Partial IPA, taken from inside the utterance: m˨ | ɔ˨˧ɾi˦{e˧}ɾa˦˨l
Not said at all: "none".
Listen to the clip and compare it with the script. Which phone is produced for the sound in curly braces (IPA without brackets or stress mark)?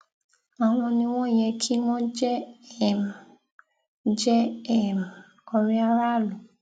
a˧